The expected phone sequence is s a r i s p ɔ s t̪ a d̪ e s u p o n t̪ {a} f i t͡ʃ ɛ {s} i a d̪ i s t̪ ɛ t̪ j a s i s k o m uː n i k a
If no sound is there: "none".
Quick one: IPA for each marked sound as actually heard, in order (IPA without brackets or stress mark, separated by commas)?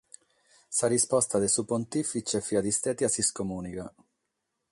i, f